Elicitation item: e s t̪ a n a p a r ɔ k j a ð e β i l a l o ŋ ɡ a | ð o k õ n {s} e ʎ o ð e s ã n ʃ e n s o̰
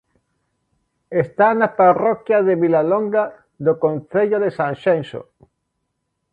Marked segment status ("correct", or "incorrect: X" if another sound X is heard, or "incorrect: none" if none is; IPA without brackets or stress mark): incorrect: θ